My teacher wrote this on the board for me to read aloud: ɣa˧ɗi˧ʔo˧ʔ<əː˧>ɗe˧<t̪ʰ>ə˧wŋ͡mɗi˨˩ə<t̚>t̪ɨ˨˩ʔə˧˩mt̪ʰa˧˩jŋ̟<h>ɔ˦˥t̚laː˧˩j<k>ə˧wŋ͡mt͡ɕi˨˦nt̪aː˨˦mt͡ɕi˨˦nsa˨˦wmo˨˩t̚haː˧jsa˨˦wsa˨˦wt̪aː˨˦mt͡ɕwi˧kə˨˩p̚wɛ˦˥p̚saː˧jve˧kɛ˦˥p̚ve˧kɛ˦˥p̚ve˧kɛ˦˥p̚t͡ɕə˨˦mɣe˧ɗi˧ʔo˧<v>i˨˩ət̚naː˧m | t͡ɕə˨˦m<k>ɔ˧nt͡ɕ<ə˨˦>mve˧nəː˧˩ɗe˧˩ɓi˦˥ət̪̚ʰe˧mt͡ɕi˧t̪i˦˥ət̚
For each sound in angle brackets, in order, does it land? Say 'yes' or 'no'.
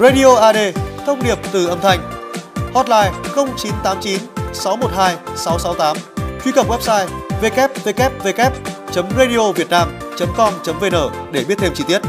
no, yes, no, yes, no, yes, yes, yes

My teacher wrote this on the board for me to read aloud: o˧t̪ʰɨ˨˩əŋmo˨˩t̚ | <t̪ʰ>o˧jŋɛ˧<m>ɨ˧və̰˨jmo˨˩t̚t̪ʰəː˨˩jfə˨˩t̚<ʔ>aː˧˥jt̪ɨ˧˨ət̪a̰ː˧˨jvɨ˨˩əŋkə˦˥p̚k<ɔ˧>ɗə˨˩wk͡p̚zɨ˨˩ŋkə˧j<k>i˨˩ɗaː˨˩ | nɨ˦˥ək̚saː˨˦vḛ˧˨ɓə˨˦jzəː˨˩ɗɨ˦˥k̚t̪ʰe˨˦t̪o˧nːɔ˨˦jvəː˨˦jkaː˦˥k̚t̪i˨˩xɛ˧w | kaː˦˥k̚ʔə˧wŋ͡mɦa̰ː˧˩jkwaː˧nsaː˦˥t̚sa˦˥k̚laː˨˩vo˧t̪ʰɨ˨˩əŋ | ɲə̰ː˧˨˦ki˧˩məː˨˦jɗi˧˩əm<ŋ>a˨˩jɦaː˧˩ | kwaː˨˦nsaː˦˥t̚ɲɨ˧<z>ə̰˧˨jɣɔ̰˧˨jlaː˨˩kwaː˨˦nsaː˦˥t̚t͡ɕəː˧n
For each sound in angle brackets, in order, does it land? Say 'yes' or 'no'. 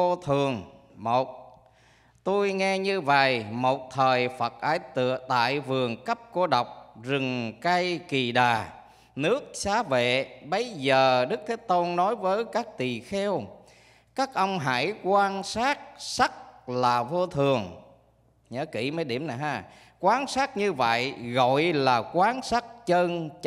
no, no, yes, no, yes, no, no

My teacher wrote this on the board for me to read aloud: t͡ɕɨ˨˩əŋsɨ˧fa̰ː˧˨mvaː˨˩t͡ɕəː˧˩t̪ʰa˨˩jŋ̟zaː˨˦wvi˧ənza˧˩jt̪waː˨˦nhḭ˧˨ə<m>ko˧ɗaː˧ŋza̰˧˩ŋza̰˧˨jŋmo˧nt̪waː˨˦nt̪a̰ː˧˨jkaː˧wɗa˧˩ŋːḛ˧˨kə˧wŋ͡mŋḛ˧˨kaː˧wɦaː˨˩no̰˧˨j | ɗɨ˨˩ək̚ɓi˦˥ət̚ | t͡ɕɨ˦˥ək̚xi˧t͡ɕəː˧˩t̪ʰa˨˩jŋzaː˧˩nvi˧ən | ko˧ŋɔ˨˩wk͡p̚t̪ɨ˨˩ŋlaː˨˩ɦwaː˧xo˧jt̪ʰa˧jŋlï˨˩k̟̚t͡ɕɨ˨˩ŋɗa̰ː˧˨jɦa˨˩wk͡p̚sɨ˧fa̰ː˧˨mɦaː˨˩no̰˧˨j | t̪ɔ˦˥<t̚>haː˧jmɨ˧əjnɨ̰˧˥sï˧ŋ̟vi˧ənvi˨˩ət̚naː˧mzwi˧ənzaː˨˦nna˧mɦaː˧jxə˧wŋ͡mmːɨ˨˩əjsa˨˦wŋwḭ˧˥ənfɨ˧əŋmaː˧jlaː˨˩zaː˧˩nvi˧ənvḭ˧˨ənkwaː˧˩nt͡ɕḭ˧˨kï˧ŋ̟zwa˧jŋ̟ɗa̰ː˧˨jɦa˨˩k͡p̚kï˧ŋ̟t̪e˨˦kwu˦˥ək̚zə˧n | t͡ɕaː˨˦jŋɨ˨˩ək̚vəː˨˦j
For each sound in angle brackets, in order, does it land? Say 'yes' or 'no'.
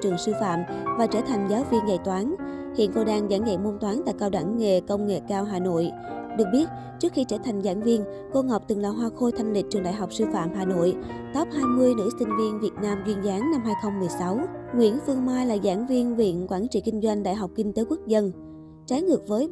no, no

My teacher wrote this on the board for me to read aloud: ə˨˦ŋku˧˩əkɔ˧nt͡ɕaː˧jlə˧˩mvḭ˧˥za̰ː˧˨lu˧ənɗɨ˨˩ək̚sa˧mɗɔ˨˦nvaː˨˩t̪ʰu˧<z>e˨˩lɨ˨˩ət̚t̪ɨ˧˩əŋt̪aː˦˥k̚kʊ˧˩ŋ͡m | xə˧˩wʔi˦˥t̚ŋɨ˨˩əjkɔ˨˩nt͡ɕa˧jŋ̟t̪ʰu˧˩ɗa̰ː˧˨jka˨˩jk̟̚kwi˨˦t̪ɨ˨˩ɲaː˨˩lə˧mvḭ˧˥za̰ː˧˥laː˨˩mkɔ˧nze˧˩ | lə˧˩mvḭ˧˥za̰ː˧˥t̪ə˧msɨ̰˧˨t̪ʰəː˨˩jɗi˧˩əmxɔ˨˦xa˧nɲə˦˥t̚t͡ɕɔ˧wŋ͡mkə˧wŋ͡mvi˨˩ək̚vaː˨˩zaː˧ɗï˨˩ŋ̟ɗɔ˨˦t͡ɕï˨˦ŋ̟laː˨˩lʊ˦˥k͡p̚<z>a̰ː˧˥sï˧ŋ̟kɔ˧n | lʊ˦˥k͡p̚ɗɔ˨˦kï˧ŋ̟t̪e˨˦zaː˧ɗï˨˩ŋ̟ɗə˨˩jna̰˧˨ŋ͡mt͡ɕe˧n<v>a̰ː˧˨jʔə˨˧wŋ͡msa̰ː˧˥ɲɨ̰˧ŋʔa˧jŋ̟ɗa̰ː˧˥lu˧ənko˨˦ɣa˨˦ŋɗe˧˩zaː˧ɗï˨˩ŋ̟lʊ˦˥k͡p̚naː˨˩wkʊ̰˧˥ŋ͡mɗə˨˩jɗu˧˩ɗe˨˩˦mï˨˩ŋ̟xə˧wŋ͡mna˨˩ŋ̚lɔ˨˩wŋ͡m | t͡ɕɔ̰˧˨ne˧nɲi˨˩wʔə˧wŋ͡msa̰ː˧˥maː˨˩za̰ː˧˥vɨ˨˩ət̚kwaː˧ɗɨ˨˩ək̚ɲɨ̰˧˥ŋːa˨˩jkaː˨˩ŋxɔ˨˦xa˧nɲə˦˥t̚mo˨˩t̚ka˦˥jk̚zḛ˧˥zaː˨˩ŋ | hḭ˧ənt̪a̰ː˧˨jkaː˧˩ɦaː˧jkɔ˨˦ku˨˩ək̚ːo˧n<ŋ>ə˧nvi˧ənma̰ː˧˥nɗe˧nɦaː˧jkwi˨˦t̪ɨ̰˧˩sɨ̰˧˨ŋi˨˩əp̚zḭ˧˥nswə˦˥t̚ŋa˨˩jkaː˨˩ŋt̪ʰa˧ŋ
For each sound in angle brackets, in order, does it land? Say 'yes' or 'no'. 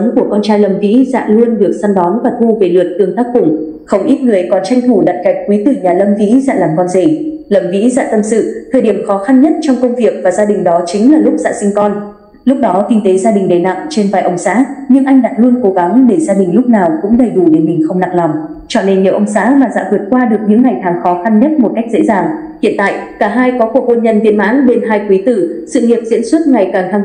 no, yes, yes, no

